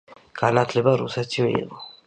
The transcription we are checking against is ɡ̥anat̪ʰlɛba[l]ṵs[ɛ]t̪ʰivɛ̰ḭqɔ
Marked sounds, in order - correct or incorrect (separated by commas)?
incorrect, correct